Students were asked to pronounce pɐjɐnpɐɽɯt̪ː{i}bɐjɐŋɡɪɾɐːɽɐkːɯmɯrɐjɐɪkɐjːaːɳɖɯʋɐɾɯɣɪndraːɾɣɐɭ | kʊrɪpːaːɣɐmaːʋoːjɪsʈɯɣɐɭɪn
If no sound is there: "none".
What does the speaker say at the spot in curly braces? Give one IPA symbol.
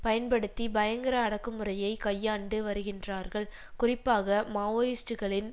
i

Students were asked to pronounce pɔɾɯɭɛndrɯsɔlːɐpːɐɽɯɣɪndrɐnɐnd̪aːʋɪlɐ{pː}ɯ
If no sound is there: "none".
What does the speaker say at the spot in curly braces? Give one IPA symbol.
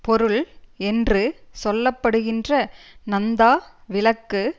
kː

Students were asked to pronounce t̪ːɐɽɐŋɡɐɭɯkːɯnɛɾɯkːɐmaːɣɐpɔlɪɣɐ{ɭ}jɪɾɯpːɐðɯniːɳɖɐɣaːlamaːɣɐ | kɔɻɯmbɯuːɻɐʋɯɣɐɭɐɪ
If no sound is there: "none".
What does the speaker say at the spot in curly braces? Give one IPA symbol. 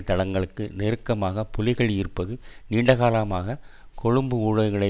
ɭ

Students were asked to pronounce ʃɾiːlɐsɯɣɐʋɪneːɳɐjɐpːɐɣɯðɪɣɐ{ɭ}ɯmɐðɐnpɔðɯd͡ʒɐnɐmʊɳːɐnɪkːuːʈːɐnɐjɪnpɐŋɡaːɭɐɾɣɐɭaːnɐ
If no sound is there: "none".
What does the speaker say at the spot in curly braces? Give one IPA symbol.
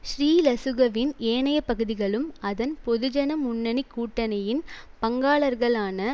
ɭ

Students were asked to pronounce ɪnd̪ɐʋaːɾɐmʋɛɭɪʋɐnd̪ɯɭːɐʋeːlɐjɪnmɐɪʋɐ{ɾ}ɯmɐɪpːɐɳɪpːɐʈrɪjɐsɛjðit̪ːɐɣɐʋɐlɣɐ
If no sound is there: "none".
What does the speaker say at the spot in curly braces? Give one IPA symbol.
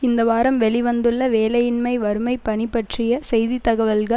ɾ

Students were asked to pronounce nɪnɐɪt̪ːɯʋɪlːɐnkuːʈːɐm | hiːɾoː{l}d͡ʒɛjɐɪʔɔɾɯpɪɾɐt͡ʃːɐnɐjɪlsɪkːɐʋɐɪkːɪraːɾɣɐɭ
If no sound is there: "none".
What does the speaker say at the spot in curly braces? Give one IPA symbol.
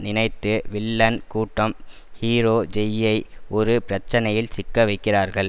none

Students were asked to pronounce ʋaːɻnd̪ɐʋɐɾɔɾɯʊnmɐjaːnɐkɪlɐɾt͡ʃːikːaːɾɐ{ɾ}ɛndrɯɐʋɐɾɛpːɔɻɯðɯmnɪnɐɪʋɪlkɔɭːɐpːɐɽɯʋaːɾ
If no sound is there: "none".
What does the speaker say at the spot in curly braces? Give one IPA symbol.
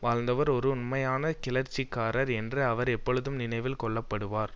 ɾ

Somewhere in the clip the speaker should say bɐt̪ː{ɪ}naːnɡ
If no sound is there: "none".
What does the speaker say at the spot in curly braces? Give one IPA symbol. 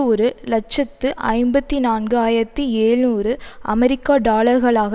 i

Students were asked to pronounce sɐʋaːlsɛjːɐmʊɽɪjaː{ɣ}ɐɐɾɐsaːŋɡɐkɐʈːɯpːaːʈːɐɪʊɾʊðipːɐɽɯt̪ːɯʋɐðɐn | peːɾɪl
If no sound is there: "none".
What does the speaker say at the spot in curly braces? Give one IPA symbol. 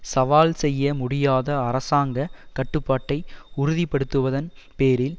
ð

